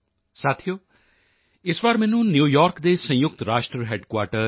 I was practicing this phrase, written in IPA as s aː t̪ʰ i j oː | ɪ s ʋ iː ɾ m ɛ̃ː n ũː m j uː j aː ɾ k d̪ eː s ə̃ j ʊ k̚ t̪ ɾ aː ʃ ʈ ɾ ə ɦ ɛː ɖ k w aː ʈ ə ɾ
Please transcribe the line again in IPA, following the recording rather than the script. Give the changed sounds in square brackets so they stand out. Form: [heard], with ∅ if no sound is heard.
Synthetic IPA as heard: s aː t̪ʰ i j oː | ɪ s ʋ [aː] ɾ m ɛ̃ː n ũː [n] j uː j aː ɾ k d̪ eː s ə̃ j ʊ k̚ t̪ ɾ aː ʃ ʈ ɾ ə ɦ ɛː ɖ k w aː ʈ ə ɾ